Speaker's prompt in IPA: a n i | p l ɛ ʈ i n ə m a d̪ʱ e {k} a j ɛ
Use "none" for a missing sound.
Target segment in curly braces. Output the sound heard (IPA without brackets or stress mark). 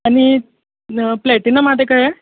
k